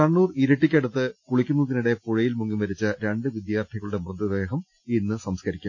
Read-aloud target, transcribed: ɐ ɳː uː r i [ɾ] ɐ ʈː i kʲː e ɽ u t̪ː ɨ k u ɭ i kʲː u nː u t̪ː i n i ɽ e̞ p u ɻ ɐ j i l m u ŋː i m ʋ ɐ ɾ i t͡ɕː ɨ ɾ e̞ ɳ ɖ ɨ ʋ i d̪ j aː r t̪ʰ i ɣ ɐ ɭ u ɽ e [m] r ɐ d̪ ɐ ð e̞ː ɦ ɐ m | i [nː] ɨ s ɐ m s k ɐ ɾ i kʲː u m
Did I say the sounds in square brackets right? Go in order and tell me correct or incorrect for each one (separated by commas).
correct, correct, correct